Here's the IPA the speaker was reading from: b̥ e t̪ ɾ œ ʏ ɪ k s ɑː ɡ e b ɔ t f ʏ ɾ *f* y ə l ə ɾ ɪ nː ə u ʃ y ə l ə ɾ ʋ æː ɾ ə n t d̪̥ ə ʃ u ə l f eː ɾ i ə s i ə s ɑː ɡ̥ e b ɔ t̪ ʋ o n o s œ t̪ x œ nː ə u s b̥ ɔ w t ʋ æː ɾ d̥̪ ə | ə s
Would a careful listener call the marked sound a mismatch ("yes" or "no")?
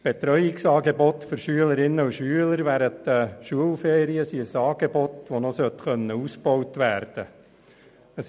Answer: yes